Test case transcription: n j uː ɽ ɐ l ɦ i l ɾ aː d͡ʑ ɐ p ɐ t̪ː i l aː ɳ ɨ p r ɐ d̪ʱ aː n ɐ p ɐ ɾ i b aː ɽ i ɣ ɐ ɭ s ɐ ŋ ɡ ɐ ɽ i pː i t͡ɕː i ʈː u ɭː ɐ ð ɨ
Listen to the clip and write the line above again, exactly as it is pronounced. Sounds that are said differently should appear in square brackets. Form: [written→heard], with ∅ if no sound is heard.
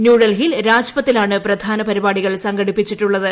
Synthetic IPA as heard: n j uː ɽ ɐ l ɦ i l ɾ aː d͡ʑ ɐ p ɐ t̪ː i l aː ɳ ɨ p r ɐ d̪ʱ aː n ɐ p ɐ ɾ i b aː ɽ i ɣ ɐ ɭ s ɐ ŋ ɡ ɐ ɽ i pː i t͡ɕː i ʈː u ɭː ɐ ð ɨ